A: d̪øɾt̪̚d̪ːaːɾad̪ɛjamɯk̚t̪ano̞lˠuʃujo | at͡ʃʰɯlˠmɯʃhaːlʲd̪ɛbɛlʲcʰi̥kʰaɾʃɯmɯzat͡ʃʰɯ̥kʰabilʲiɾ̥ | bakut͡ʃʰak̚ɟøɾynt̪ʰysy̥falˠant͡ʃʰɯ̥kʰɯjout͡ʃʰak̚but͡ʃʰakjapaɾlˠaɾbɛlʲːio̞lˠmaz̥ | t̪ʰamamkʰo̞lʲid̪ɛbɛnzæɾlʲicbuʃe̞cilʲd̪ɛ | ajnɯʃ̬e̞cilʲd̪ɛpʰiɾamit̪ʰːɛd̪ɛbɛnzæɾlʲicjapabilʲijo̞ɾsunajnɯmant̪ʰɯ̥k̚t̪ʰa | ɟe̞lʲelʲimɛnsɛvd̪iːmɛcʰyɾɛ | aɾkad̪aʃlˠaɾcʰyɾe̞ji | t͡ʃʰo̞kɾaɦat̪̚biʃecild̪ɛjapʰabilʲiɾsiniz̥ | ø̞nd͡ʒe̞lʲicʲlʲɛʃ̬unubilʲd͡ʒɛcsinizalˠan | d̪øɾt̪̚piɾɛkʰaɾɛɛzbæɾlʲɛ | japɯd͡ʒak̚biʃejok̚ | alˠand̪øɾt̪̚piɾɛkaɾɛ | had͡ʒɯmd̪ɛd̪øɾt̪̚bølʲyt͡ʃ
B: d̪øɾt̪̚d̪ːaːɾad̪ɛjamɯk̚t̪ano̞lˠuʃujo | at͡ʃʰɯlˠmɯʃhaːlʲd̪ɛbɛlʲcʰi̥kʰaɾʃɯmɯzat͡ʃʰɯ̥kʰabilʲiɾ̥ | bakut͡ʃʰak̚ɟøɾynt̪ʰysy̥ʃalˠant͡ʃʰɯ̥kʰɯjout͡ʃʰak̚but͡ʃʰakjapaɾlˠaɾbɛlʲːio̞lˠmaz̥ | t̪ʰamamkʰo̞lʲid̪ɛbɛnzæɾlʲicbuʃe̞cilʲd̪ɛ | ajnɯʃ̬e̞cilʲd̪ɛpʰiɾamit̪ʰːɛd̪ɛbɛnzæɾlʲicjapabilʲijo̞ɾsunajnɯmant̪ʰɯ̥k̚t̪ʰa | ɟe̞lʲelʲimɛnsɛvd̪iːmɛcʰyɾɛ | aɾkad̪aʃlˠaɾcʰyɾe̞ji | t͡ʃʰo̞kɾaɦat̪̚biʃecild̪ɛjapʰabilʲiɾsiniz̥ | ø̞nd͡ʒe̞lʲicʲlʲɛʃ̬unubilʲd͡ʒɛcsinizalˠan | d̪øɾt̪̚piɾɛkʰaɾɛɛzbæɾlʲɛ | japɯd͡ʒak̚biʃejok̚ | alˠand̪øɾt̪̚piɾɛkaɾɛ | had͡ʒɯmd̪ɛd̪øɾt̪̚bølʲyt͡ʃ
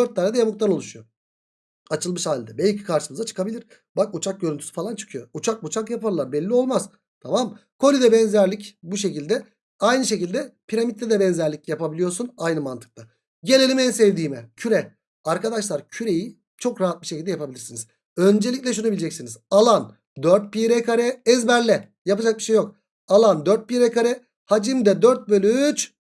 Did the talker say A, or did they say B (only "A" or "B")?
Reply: A